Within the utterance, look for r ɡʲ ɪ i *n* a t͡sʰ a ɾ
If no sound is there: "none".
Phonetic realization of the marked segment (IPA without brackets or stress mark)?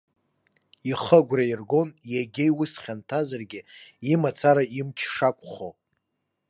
m